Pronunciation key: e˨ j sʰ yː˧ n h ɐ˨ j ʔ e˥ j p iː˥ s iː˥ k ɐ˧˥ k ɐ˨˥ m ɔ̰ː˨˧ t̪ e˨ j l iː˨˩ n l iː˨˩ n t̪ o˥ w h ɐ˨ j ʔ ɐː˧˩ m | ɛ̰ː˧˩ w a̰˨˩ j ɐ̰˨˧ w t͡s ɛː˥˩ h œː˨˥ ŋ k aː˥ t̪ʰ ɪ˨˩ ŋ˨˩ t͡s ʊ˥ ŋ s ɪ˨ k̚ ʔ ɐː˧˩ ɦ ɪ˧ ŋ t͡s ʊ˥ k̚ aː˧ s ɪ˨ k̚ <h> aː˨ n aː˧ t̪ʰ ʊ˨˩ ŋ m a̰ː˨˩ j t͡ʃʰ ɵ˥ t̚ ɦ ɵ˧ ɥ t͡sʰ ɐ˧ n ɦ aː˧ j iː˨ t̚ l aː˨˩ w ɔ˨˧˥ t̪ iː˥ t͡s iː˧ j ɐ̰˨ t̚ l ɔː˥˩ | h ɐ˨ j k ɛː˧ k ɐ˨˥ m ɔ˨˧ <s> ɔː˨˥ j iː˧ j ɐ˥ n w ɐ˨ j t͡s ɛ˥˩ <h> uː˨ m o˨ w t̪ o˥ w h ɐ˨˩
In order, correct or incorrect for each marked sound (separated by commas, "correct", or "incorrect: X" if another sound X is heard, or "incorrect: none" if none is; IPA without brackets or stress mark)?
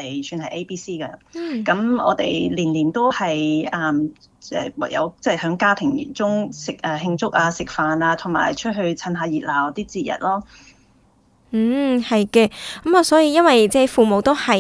incorrect: f, correct, incorrect: f